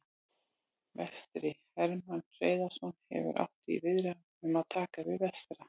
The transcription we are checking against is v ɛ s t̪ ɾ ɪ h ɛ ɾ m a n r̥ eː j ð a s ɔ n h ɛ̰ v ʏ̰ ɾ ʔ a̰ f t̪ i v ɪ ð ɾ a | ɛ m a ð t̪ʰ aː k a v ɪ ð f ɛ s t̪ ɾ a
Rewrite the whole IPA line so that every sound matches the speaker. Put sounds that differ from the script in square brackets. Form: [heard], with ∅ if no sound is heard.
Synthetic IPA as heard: v ɛ s t̪ ɾ ɪ h ɛ ɾ m a n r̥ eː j ð a s ɔ n h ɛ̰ v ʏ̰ ɾ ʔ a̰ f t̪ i v ɪ ð ɾ a | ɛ m a ð t̪ʰ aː k a v ɪ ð [v] ɛ s t̪ ɾ a